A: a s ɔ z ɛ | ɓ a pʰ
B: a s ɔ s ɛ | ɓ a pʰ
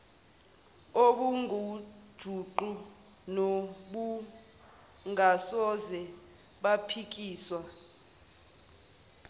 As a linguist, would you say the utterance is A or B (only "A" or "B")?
A